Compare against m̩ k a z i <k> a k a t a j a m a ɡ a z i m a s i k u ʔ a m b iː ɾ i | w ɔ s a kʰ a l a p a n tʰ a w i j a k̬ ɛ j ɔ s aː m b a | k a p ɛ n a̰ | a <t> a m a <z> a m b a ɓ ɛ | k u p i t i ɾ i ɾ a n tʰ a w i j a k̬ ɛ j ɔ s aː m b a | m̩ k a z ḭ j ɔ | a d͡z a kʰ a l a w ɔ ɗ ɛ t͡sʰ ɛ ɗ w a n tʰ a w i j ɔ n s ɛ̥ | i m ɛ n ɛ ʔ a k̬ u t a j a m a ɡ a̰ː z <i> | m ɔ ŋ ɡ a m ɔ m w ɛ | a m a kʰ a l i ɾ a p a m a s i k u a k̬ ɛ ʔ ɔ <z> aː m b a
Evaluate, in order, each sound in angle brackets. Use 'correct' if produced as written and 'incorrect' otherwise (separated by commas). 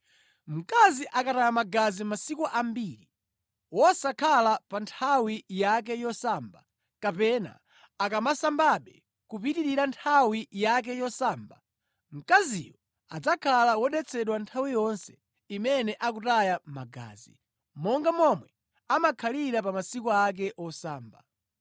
incorrect, incorrect, incorrect, correct, incorrect